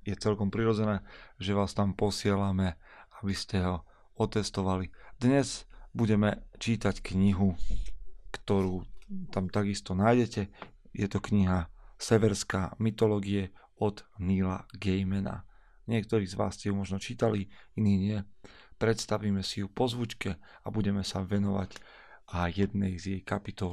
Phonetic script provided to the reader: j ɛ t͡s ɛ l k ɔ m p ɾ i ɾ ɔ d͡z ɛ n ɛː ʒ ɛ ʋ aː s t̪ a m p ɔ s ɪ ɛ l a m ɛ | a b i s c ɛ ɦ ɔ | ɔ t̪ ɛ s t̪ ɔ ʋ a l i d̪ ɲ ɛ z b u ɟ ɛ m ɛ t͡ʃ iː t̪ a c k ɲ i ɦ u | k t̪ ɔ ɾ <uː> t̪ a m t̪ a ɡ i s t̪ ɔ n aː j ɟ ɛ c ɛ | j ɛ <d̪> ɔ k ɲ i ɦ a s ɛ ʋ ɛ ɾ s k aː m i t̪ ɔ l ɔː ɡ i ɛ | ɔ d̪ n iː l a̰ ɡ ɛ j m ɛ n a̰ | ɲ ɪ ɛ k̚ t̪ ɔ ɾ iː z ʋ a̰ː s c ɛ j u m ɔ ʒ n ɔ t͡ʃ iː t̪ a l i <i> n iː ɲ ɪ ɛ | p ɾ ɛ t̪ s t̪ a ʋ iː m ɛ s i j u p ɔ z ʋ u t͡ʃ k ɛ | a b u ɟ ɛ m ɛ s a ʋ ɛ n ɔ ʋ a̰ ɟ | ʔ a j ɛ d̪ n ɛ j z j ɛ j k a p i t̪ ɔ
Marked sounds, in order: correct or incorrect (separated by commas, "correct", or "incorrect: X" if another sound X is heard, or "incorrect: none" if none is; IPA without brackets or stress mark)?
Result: correct, incorrect: t̪, correct